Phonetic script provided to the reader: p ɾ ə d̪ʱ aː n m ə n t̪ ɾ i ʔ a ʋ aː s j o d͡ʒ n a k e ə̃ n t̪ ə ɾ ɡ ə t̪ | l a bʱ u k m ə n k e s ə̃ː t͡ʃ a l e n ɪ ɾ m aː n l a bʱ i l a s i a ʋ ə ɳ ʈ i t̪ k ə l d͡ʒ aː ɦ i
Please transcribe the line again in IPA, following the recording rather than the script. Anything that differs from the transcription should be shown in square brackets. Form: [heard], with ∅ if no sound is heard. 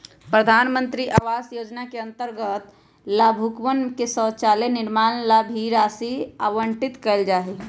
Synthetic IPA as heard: p ɾ ə d̪ʱ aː n m ə n t̪ ɾ i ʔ a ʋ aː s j o d͡ʒ n a k e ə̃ n t̪ ə ɾ ɡ ə t̪ | l a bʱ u k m ə n k e s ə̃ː t͡ʃ a l e n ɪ ɾ m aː n l a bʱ i [ɾ] a s i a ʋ ə ɳ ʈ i t̪ k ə l d͡ʒ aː ɦ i

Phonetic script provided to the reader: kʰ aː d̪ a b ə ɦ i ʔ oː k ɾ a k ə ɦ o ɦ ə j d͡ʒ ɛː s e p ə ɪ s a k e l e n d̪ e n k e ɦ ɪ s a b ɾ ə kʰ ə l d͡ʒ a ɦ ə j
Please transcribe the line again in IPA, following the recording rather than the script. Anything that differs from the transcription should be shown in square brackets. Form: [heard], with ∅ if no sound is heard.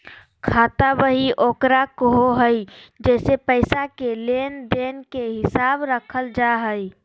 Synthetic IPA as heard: kʰ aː [t̪] a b ə ɦ i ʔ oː k ɾ a k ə ɦ o ɦ ə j d͡ʒ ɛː s e p ə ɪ s a k e l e n d̪ e n k e ɦ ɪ s a b ɾ ə kʰ ə l d͡ʒ a ɦ ə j

